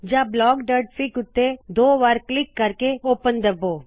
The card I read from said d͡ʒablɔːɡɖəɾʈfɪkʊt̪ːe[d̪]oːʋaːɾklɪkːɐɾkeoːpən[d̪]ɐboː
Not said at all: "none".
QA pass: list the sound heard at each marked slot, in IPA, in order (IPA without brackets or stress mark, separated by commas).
d̪, d̪